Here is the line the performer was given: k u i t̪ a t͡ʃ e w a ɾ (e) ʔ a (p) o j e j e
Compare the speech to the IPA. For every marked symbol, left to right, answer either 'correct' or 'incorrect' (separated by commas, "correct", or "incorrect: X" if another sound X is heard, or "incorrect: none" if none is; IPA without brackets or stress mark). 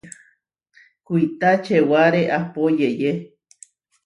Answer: correct, correct